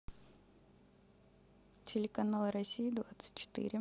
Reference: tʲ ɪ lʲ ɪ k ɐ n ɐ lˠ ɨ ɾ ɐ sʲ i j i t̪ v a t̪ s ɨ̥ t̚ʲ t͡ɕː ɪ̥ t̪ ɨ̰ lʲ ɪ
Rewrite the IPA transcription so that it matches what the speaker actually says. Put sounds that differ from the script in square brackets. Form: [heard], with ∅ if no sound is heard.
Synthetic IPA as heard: tʲ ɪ lʲ ɪ k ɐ n [a] lˠ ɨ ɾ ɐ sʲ i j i [d̪] v a t̪ s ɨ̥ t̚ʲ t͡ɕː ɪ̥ t̪ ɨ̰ [ɾʲ] ɪ